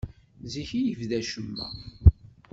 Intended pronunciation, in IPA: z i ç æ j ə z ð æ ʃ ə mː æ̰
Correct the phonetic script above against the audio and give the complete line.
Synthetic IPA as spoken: z i ç i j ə v ð æ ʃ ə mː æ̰